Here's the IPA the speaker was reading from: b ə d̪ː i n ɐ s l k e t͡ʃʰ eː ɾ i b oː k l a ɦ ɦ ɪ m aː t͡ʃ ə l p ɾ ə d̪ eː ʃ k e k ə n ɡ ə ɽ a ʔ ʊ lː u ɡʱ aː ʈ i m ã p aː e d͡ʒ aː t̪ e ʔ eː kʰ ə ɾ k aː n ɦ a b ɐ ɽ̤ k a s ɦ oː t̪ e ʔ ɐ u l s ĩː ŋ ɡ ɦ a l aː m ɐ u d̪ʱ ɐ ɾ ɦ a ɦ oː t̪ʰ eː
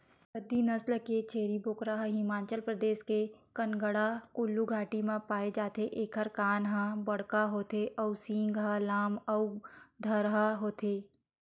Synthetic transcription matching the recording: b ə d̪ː i n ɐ s l k e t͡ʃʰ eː ɾ i b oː k ɾ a ɦ ɦ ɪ m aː t͡ʃ ə l p ɾ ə d̪ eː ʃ k e k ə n ɡ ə ɽ a k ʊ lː u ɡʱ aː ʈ i m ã p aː e d͡ʒ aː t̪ e ʔ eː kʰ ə ɾ k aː n ɦ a b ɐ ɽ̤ k a ɦ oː t̪ e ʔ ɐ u s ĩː ŋ ɡ ɦ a l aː m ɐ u d̪ʱ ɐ ɾ ɦ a ɦ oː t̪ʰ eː